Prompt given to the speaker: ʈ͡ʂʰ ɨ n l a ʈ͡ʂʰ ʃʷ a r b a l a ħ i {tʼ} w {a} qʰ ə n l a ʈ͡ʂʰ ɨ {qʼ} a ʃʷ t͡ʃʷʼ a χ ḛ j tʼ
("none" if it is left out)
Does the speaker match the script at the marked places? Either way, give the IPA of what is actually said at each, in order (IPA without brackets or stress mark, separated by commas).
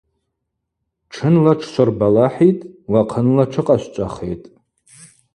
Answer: tʼ, a, qʼ